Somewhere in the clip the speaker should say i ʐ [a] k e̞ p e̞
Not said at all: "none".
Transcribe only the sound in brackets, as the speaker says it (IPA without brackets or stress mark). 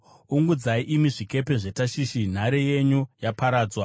i